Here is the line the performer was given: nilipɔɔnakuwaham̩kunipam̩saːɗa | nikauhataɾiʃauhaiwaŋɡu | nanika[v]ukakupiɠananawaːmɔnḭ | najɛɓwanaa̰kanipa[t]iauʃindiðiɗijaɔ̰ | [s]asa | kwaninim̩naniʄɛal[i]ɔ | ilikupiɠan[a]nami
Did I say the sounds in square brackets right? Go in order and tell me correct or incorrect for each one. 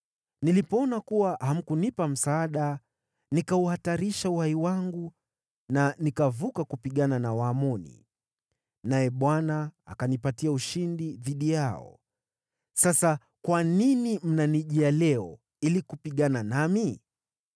correct, correct, correct, incorrect: ɛ, correct

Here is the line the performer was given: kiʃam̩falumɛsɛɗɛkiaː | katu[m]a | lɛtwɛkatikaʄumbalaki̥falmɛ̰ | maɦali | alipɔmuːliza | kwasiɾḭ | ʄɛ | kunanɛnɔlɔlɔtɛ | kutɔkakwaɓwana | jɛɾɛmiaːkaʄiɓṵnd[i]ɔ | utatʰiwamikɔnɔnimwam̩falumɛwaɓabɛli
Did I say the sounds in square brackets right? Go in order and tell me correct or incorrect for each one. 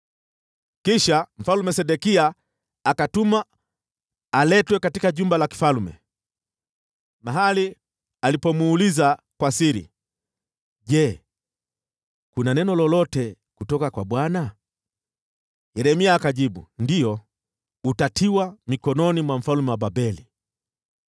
correct, correct

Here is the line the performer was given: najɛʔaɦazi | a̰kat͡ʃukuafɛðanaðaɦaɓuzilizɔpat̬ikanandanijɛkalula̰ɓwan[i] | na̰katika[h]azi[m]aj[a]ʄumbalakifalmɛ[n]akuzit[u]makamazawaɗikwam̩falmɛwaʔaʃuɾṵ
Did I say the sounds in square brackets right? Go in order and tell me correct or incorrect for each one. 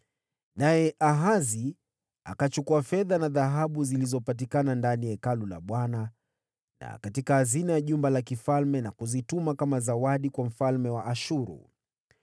incorrect: a, correct, incorrect: n, correct, correct, correct

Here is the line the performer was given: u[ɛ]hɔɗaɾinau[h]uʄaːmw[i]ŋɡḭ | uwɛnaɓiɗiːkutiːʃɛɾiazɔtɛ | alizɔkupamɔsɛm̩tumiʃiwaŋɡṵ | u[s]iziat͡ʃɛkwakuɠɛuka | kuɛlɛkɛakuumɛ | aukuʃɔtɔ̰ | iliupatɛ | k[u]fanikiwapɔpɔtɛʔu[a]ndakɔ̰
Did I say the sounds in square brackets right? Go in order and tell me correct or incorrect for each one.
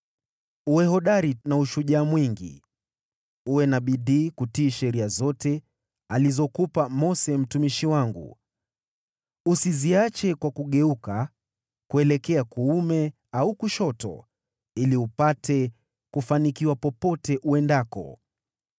correct, incorrect: ʃ, correct, correct, correct, incorrect: ɛ

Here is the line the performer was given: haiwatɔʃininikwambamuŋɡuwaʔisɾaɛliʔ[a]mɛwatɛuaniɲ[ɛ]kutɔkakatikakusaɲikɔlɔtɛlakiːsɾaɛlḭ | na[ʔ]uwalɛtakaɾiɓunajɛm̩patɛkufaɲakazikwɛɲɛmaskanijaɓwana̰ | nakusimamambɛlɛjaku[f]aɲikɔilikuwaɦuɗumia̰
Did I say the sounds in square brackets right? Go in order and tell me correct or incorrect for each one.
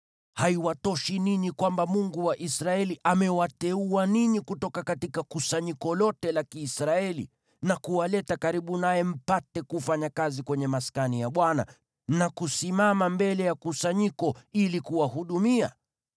correct, incorrect: i, incorrect: k, incorrect: s

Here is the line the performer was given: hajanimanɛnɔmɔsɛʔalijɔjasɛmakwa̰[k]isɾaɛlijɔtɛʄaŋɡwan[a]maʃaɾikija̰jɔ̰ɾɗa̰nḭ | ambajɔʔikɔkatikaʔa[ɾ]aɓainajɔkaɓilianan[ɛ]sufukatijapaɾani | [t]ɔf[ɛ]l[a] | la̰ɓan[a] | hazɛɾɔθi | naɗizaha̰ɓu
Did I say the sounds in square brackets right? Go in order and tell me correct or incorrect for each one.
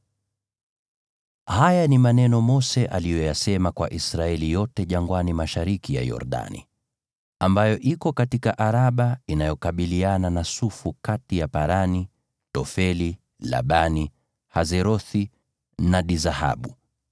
incorrect: ʔ, incorrect: i, correct, incorrect: a, correct, correct, incorrect: i, incorrect: i

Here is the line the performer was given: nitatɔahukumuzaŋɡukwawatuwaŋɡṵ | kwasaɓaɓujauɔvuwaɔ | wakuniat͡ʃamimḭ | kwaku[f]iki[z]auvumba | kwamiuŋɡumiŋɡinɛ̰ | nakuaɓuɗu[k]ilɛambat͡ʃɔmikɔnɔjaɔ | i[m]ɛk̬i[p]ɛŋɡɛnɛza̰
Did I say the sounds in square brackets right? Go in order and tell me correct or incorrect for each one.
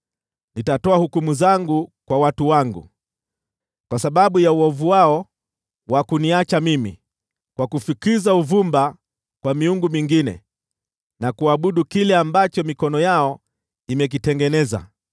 correct, correct, correct, correct, incorrect: t

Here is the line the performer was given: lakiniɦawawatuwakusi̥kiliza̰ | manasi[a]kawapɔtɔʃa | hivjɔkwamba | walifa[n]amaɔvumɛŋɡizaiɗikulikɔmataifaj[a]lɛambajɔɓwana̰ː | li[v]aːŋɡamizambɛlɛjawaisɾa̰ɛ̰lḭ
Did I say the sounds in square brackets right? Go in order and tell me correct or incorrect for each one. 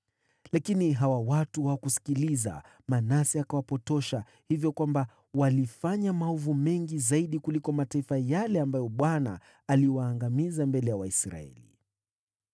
correct, incorrect: ɲ, correct, incorrect: w

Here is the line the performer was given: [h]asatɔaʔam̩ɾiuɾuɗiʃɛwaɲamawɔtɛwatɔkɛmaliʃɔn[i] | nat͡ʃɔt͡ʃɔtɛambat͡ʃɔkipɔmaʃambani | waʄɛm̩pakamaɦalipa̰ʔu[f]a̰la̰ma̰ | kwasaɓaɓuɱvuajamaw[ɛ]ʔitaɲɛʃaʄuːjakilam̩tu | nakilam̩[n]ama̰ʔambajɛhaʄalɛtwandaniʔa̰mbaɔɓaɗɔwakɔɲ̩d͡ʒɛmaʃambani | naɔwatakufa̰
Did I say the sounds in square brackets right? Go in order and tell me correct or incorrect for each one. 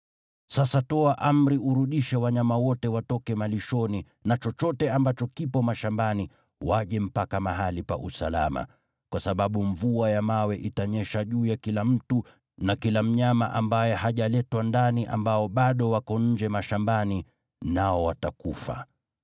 incorrect: s, correct, incorrect: s, correct, incorrect: ɲ

